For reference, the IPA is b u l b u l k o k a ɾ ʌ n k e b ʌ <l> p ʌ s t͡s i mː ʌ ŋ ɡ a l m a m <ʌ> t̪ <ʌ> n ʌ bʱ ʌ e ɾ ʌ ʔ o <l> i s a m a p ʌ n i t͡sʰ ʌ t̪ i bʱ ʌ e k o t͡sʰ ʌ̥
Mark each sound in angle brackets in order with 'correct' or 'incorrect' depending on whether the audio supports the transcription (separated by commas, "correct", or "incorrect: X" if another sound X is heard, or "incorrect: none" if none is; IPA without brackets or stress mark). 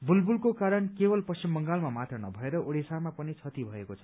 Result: correct, incorrect: a, correct, incorrect: ɽ